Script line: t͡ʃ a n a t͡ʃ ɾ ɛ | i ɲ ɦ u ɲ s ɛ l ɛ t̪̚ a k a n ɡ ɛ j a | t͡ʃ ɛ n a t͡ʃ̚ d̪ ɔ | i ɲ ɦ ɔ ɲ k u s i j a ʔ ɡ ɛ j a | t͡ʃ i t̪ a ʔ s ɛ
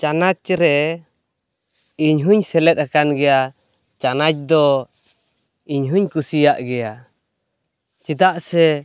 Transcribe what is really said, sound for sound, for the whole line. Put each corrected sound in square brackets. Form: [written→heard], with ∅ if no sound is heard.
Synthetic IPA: t͡ʃ a n a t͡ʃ ɾ ɛ | i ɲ ɦ u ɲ s ɛ l ɛ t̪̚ a k a n ɡ ɛ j a | t͡ʃ [ɛ→a] n a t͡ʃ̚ d̪ ɔ | i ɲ ɦ [ɔ→u] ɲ k u s i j a ʔ ɡ ɛ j a | t͡ʃ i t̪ a ʔ s ɛ